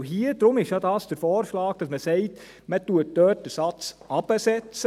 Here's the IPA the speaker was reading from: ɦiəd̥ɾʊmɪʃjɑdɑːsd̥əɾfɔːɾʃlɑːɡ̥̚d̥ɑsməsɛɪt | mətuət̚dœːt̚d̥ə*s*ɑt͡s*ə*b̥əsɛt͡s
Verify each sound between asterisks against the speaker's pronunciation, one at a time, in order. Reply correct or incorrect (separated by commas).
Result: correct, incorrect